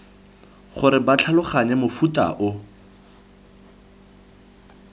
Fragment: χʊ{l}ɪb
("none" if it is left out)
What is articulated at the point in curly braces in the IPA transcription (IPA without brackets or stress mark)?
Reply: ɾ